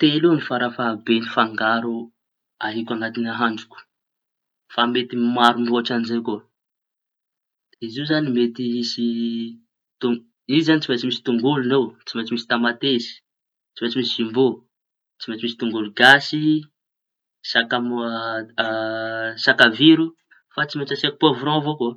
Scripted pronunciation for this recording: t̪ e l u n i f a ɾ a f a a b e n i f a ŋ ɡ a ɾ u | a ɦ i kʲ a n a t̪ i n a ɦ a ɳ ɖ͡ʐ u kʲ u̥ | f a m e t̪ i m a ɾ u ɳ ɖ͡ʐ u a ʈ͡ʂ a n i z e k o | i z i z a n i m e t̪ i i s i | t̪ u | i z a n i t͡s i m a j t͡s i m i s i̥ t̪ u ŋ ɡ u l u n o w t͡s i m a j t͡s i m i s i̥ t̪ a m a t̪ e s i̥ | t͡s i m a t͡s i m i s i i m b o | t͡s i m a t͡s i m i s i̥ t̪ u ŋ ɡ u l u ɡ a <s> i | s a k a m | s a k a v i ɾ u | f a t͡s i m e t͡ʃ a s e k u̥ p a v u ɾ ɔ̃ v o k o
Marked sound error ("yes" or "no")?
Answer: no